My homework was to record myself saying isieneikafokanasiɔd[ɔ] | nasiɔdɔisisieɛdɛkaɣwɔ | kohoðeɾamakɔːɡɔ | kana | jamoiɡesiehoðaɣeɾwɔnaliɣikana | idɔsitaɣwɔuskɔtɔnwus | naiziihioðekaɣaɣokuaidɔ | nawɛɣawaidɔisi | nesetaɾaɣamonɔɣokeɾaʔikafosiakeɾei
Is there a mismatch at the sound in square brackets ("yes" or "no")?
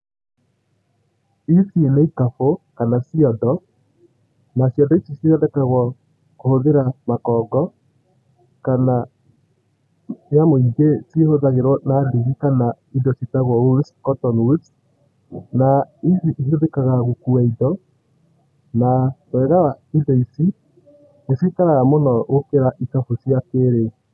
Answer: no